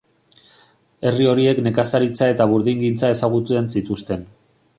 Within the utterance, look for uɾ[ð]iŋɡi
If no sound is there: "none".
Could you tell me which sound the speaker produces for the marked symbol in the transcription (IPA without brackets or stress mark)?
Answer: ð